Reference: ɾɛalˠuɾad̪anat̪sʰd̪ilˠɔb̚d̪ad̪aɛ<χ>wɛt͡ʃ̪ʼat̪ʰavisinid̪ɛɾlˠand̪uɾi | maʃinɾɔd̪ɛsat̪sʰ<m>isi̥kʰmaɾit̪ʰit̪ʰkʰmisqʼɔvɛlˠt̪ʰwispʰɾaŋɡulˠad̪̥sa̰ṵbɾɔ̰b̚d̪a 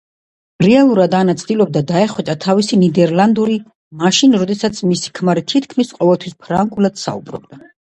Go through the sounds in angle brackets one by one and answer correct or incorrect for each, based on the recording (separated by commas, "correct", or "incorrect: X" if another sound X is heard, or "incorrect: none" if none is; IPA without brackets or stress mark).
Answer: correct, correct